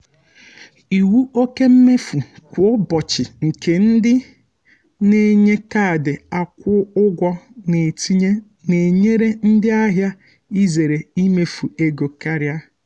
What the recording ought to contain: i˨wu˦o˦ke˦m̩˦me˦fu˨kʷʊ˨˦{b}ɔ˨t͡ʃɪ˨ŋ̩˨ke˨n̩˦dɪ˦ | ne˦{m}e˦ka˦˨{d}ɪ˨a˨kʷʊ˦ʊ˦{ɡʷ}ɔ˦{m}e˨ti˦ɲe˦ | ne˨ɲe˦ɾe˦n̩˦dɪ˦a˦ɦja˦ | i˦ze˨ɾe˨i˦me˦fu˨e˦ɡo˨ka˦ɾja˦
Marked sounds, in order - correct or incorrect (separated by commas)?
correct, incorrect, correct, correct, incorrect